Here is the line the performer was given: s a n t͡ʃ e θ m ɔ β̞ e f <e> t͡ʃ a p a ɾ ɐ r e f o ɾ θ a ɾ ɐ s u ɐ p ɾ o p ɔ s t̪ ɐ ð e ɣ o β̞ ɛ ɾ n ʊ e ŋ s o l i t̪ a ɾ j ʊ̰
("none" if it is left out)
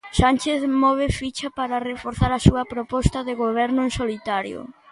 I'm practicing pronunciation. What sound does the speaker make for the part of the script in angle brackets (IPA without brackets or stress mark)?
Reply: i